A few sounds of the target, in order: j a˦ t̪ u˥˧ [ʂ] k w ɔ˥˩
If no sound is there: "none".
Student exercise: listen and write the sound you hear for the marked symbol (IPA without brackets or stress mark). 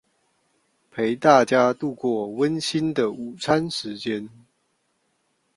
none